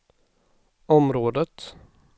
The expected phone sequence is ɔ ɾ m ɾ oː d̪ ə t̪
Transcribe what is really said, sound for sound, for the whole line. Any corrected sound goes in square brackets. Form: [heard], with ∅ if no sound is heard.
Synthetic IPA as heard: ɔ [∅] m ɾ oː d̪ ə t̪